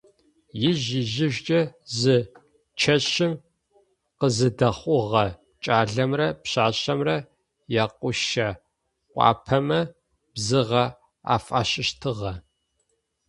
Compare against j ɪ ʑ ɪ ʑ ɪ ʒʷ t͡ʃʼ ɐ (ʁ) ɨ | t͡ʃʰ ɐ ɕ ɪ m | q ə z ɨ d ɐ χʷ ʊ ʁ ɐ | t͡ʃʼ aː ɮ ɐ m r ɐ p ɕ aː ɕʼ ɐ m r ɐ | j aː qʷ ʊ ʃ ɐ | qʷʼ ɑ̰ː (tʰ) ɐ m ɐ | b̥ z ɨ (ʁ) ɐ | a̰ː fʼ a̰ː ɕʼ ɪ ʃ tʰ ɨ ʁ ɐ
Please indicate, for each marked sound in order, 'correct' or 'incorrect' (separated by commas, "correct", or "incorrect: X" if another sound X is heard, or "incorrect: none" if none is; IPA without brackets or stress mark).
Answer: incorrect: z, incorrect: pʰ, correct